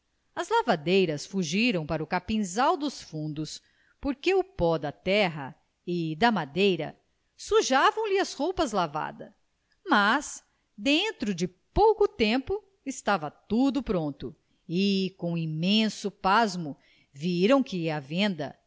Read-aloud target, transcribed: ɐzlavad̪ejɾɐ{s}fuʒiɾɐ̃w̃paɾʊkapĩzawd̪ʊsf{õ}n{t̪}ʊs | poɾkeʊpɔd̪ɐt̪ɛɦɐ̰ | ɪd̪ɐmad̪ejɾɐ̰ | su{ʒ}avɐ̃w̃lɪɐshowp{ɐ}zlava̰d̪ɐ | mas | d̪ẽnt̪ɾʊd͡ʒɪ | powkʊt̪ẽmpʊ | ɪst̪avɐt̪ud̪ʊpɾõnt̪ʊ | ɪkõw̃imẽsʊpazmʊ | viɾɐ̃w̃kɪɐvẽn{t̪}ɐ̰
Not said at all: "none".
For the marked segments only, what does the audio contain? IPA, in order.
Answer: s, ũ, d̪, ʒ, ɐ, d̪

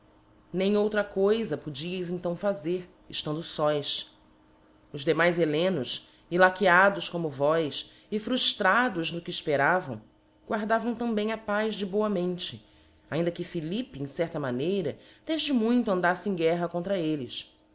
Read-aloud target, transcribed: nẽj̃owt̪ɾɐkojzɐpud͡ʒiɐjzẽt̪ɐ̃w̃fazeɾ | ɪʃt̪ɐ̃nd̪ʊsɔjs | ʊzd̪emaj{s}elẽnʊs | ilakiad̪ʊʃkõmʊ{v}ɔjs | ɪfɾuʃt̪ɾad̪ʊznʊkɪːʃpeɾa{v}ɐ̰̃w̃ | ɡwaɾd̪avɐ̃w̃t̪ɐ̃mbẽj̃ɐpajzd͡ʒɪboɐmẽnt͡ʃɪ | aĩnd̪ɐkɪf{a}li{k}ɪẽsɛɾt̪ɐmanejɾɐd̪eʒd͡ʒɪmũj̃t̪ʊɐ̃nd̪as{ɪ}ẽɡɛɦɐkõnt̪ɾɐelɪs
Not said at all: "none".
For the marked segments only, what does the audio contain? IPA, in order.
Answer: z, v, v, i, p, ɪ

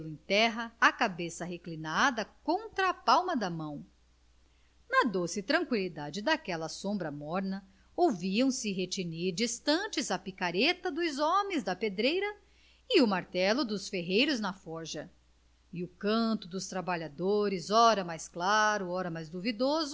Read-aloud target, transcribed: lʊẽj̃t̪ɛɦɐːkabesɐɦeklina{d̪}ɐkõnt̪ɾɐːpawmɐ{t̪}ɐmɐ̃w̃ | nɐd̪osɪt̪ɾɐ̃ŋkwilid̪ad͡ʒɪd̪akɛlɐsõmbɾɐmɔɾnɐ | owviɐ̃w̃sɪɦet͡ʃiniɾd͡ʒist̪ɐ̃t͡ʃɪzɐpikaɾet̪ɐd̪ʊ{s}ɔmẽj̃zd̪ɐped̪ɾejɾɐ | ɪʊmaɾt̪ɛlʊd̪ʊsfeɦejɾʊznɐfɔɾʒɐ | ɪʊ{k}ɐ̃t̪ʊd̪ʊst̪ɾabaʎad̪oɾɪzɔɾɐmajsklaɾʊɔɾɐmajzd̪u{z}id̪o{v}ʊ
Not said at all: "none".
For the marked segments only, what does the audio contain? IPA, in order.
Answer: d̪, d̪, z, k, v, z

